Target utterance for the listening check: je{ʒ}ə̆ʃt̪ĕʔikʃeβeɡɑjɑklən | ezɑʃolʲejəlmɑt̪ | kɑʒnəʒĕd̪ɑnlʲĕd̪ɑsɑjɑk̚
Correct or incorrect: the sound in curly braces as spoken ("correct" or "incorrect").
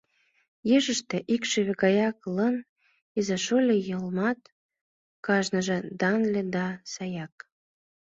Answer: correct